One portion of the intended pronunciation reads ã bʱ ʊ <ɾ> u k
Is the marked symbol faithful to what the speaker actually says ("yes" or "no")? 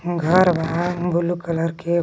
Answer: no